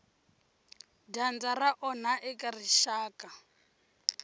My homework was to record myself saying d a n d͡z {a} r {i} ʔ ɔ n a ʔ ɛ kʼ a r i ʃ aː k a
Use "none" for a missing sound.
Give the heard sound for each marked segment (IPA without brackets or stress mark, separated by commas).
a, a